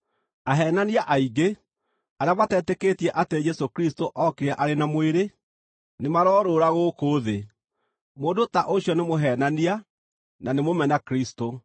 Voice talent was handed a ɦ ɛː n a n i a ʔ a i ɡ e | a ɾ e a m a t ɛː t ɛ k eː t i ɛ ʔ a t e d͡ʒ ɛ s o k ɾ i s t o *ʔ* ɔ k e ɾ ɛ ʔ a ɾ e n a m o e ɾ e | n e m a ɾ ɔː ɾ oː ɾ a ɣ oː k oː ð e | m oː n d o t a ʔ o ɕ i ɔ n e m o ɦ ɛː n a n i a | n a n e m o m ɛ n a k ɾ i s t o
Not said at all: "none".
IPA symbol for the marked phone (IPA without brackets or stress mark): ʔ